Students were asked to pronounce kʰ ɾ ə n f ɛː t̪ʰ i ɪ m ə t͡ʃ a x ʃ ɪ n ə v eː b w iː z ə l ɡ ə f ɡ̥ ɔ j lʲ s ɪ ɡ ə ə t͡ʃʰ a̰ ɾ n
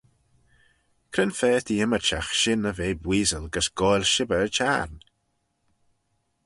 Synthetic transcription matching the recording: kʰ ɾ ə n f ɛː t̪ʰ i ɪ m ə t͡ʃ a x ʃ ɪ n ə v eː b w iː z ə l ɡ ə s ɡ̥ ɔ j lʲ ʃ ɪ b ə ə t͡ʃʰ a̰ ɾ n